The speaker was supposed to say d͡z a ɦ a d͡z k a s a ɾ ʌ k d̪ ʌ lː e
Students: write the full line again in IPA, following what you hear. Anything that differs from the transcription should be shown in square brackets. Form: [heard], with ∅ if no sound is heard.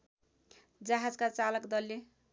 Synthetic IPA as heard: d͡z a ɦ a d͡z k a [t͡s] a [l] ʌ k d̪ ʌ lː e